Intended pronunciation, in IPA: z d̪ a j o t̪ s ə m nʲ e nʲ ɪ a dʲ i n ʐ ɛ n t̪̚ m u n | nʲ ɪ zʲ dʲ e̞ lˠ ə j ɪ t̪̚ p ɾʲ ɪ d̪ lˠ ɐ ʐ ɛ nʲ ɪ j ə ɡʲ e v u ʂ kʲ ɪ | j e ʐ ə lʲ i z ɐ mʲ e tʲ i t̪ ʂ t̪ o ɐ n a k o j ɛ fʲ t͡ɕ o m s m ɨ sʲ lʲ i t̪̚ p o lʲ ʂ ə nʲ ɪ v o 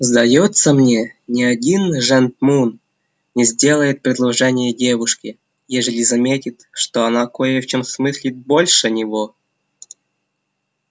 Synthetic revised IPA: z d̪ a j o t̪ s ə m nʲ e nʲ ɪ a dʲ i n ʐ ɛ n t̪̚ m u n | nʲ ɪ zʲ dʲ e̞ lˠ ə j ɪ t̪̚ p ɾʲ ɪ d̪ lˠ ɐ ʐ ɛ nʲ ɪ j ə dʲ e v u ʂ kʲ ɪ | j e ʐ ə lʲ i z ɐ mʲ e tʲ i t̪ ʂ t̪ o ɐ n a k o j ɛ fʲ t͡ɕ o m s m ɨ sʲ lʲ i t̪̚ b o lʲ ʂ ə nʲ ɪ v o

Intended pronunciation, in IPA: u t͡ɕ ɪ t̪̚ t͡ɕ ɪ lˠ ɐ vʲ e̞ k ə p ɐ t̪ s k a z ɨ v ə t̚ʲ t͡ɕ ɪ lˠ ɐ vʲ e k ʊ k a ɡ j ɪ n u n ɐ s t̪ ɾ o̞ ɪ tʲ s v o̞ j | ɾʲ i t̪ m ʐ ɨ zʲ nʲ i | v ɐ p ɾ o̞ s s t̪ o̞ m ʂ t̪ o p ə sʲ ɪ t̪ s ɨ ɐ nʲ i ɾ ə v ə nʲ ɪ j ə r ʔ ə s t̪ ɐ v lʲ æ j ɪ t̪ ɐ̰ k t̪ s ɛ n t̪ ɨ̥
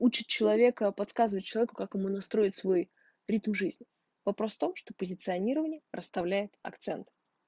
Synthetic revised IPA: u t͡ɕ ɪ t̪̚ t͡ɕ ɪ lˠ ɐ vʲ e̞ k ə p ɐ t̪ s k a z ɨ v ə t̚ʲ t͡ɕ ɪ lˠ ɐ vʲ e k ʊ k a k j ɪ m u n ɐ s t̪ ɾ o̞ ɪ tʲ s v o̞ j | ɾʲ i t̪ m ʐ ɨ zʲ nʲ ɪ | v ɐ p ɾ o̞ s f t̪ o̞ m ʂ t̪ o p ə zʲ ɪ t̪ s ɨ ɐ nʲ i ɾ ə v ə nʲ ɪ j ə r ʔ ə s t̪ ɐ v lʲ æ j ɪ t̪ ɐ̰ k t̪ s ɛ n t̪ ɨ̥

